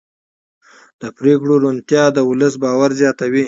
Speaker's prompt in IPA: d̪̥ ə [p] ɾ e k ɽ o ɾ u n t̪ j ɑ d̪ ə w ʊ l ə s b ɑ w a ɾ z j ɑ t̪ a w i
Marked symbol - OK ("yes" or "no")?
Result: yes